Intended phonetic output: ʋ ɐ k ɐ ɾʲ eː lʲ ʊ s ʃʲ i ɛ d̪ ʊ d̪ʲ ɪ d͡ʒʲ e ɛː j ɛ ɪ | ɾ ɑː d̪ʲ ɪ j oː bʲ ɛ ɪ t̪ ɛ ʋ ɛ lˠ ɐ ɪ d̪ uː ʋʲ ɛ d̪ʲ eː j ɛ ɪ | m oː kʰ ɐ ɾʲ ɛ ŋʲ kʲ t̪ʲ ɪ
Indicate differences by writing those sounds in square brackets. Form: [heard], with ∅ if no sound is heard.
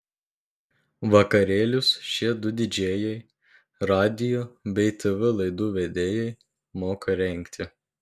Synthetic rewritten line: ʋ ɐ k ɐ ɾʲ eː lʲ ʊ s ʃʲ i ɛ d̪ ʊ d̪ʲ ɪ d͡ʒʲ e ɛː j ɛ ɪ | ɾ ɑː d̪ʲ ɪ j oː bʲ ɛ ɪ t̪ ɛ ʋ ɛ lˠ ɐ ɪ d̪ uː ʋʲ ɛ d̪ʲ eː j ɛ ɪ | m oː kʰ ɐ ɾʲ ɛ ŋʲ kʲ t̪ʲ ɪ